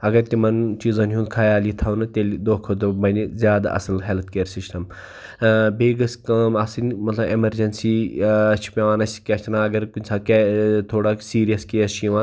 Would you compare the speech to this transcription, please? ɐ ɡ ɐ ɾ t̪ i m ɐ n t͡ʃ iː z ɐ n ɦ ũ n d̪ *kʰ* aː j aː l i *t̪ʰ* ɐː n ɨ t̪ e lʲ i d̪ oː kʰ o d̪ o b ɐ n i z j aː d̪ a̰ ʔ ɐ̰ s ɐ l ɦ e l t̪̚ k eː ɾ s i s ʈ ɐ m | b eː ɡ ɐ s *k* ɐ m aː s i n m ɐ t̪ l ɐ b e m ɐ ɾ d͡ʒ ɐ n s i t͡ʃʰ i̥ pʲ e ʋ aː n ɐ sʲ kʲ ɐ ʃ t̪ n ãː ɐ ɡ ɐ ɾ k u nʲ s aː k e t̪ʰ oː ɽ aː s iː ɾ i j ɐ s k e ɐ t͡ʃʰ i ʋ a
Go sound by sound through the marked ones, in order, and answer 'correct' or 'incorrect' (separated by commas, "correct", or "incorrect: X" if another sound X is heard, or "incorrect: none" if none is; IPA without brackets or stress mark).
correct, correct, correct